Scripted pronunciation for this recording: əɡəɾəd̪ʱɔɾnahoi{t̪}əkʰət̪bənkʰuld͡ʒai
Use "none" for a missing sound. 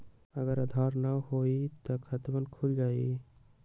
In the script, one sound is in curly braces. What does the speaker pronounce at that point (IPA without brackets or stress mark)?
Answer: t̪